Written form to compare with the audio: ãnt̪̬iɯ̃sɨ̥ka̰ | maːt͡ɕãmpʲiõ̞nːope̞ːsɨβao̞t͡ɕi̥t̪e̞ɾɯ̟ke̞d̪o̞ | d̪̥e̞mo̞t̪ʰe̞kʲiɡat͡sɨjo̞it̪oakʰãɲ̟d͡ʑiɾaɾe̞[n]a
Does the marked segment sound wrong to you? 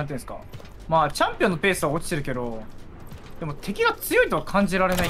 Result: no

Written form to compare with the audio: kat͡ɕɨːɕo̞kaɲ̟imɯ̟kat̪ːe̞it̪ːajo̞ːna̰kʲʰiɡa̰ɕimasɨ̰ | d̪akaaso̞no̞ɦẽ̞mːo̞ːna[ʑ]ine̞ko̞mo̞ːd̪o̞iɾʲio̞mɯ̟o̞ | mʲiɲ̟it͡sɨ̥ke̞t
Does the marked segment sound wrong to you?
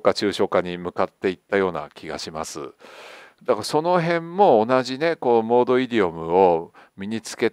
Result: no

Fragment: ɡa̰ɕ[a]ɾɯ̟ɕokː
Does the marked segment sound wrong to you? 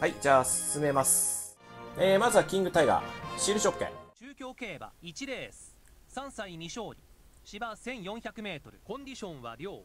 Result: yes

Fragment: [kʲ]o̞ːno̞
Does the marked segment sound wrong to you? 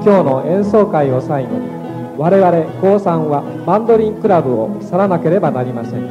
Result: no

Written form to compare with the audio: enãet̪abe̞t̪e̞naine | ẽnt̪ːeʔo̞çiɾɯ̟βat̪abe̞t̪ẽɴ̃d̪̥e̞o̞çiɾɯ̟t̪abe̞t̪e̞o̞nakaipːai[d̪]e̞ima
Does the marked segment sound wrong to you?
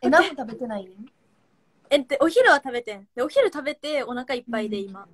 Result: no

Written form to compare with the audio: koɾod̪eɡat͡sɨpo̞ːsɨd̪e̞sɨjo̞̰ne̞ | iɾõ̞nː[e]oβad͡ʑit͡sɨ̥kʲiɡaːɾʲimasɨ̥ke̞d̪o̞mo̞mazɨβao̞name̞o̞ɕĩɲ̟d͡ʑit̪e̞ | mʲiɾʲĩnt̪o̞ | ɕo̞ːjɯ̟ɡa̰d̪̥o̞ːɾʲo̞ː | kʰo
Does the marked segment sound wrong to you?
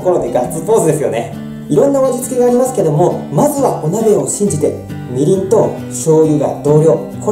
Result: yes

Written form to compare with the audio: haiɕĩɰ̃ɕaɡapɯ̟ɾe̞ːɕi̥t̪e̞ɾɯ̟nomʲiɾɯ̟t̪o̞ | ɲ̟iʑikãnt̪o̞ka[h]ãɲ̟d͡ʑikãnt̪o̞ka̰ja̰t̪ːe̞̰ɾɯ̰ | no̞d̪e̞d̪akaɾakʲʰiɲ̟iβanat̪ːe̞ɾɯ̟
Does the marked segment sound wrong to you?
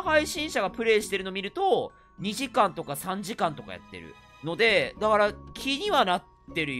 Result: yes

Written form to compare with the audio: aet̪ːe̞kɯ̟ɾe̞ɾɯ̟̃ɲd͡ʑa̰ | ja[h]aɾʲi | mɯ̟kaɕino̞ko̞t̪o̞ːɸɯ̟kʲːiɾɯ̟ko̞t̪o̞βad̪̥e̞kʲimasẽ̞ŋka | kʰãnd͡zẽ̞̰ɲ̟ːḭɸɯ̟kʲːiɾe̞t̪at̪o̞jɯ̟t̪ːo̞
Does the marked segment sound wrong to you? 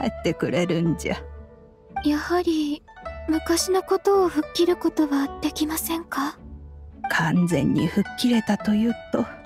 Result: no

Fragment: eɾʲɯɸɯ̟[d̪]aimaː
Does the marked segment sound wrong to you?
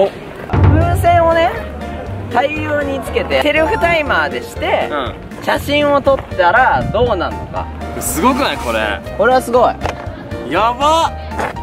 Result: yes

